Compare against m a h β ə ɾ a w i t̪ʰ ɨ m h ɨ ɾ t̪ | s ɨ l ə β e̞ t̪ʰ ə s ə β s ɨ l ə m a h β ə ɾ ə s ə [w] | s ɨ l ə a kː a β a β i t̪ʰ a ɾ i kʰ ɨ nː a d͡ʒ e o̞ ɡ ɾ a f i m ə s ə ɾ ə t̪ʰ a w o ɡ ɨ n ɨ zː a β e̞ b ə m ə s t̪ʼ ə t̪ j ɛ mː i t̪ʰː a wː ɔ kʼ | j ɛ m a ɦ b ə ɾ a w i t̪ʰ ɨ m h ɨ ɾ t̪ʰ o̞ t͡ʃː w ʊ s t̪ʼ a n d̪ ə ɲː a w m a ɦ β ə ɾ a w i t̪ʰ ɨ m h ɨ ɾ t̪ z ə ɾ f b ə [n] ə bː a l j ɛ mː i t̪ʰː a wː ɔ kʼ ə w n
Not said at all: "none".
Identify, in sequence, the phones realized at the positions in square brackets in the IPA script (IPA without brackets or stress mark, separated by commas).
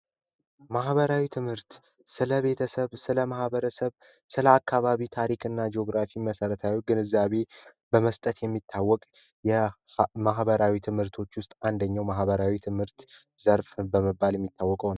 β, m